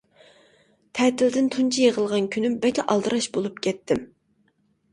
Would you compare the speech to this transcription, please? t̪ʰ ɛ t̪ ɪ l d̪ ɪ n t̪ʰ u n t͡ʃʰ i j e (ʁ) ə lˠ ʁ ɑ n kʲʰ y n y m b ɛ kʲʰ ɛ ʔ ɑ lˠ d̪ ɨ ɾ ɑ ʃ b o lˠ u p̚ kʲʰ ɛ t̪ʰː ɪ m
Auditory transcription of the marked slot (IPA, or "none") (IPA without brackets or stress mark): ʁ